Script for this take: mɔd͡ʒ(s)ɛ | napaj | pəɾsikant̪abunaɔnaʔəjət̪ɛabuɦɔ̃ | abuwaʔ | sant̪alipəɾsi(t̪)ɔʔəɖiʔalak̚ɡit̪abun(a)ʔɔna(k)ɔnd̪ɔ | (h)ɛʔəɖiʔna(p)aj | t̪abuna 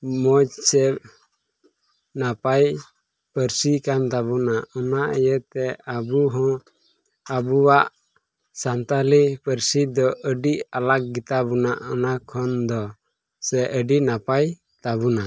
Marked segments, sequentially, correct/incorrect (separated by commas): correct, incorrect, correct, incorrect, incorrect, correct